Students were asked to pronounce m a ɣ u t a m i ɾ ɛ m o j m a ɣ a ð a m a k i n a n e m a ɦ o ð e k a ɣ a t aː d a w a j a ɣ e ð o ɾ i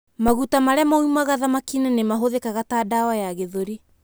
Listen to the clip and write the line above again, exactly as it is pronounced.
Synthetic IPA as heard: m a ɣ u t a m a ɾ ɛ m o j m a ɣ a ð a m a k i n a n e m a ɦ o ð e k a ɣ a t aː d a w a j a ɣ e ð o ɾ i